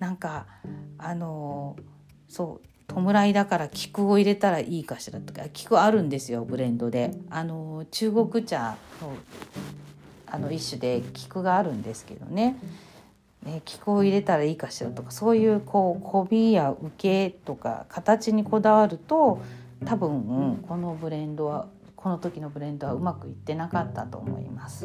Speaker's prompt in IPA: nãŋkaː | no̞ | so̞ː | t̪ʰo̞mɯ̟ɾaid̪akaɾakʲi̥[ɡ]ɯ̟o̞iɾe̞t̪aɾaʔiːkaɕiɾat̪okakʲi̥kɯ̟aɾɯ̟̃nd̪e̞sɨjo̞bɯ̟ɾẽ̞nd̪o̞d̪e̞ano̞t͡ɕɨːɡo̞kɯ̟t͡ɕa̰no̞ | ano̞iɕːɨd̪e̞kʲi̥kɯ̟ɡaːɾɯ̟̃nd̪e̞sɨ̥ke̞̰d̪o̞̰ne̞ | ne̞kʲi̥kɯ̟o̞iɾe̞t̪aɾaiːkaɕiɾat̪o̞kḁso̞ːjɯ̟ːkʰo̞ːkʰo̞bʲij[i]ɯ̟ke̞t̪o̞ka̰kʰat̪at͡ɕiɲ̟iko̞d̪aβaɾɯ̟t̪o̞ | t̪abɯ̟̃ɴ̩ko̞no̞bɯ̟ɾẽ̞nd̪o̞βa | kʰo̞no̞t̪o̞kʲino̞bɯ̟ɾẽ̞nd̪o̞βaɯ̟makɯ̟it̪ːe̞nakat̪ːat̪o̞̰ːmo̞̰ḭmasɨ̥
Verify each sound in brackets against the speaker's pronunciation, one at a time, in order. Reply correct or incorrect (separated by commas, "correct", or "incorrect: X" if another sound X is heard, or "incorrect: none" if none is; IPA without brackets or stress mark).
incorrect: k, incorrect: a